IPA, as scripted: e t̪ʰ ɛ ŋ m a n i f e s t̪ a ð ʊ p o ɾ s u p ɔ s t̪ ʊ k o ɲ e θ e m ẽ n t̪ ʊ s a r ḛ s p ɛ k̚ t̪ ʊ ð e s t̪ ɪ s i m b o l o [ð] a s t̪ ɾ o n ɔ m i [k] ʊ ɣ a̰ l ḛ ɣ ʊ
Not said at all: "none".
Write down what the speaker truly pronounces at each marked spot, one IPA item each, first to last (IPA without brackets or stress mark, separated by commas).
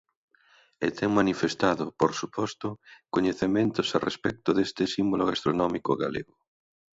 ɣ, k